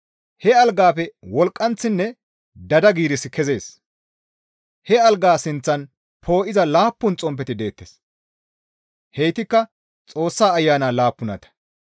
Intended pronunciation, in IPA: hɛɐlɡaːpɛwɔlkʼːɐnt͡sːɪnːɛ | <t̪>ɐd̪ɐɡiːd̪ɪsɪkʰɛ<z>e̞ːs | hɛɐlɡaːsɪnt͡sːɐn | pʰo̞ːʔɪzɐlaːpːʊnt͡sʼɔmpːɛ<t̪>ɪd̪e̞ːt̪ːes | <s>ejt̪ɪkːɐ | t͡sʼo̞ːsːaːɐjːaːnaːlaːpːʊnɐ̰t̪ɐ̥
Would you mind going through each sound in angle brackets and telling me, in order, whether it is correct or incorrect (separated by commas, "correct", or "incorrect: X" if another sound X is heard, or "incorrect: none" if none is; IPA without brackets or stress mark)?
incorrect: d̪, correct, correct, incorrect: h